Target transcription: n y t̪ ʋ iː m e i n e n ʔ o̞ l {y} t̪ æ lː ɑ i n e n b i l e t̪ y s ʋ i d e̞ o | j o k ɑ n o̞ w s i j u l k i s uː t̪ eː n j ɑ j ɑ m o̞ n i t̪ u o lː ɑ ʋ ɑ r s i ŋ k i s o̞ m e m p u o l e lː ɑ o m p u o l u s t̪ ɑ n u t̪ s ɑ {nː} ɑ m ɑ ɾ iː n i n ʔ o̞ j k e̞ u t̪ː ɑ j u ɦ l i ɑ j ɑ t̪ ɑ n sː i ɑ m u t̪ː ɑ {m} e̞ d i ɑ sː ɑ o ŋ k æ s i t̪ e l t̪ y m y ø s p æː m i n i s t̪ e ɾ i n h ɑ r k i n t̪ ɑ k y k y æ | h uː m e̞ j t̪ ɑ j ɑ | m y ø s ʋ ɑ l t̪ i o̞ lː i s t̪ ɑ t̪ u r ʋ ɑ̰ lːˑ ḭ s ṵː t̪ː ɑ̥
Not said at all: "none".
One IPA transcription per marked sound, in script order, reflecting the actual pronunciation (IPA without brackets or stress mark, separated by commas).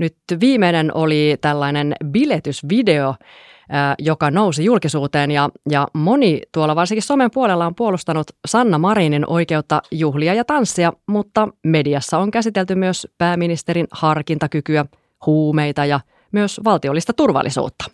i, nː, m